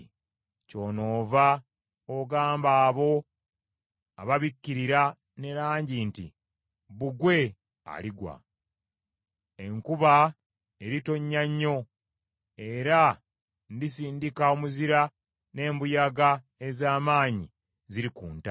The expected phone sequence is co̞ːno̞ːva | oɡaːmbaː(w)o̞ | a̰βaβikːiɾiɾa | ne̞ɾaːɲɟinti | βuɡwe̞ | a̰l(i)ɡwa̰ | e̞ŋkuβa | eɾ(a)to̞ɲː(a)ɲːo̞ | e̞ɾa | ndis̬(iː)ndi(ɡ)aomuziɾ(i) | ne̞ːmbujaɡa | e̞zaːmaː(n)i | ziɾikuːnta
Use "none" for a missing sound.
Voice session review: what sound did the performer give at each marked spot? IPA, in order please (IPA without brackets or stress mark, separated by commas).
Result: β, i, i, a, iː, k, a, ɲ